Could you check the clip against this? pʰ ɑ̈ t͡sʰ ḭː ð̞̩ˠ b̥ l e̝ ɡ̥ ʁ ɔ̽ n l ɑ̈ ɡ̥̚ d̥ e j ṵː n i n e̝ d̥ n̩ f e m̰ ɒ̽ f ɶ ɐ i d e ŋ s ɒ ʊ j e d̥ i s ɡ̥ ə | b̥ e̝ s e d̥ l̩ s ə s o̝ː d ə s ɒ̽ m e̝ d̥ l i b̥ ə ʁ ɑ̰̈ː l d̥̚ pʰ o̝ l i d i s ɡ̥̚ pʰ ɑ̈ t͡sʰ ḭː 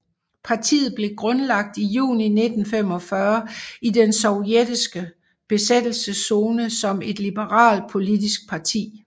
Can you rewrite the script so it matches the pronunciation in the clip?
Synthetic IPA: pʰ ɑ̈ t͡sʰ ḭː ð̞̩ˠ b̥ l e̝ ɡ̥ ʁ ɔ̽ n l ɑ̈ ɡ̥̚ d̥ i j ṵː n i n e̝ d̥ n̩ f e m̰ ɒ̽ f ɶ ɐ i d e n s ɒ ʊ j e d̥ i s ɡ̥ ə | b̥ e̝ s e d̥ l̩ s ə s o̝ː n ə s ɒ̽ m e̝ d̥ l i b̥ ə ʁ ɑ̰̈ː l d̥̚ pʰ o̝ l i d i s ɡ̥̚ pʰ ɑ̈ t͡sʰ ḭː